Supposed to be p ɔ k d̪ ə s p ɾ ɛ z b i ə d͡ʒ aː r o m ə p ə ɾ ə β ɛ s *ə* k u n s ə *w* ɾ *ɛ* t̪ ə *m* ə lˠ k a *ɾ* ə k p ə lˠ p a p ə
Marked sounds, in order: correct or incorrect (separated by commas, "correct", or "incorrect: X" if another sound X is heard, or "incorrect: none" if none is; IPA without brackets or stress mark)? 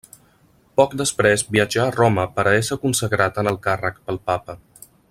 correct, incorrect: ɣ, incorrect: a, incorrect: n, incorrect: r